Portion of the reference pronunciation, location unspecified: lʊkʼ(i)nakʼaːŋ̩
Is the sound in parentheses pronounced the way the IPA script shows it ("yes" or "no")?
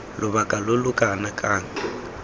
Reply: no